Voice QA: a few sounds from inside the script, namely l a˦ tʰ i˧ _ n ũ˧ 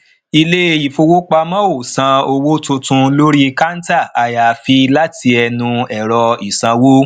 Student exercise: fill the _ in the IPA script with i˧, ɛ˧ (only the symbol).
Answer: ɛ˧